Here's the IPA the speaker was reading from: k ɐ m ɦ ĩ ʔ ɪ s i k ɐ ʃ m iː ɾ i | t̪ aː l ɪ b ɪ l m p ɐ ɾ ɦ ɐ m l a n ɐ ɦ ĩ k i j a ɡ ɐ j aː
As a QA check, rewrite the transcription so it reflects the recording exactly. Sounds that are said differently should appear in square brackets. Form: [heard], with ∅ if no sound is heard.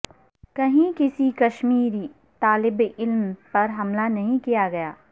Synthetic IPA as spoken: k ɐ [∅] ɦ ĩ [k] ɪ s i k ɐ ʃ m iː ɾ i | t̪ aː l ɪ b ɪ l m p ɐ ɾ ɦ ɐ m l a n ɐ ɦ ĩ k i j a ɡ ɐ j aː